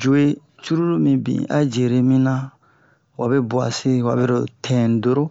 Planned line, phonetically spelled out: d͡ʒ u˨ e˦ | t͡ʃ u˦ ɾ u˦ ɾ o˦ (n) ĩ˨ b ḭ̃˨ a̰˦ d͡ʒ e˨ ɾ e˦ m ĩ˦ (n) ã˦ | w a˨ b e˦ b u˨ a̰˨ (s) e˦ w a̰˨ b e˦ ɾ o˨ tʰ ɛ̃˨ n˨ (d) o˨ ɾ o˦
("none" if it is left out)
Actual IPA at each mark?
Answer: m, n, s, d

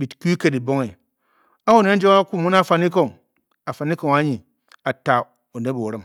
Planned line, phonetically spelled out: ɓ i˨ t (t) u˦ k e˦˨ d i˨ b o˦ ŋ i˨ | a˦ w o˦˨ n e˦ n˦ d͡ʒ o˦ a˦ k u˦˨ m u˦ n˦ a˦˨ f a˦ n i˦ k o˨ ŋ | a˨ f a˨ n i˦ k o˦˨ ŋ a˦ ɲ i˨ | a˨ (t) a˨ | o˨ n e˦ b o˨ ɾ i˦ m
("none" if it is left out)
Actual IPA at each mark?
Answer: k, t

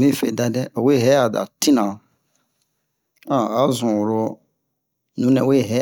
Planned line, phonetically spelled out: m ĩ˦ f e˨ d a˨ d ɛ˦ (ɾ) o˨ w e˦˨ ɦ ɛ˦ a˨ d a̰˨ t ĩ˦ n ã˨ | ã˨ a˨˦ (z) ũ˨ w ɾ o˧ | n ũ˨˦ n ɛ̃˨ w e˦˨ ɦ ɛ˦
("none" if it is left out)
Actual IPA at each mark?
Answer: none, z

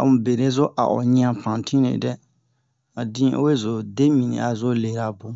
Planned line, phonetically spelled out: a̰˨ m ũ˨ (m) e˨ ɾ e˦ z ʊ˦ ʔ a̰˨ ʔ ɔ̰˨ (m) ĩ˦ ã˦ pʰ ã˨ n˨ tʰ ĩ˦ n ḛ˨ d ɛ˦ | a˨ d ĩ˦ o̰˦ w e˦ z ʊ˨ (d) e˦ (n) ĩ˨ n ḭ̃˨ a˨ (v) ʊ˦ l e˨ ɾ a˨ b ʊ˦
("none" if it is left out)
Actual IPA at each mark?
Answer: b, ɲ, d, m, z

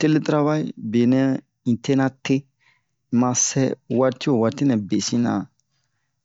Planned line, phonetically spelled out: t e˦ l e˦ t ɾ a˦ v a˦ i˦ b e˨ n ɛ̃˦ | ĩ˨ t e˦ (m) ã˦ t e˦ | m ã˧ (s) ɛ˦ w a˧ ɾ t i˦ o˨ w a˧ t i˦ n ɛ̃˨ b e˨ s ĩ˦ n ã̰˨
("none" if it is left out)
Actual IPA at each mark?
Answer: n, s

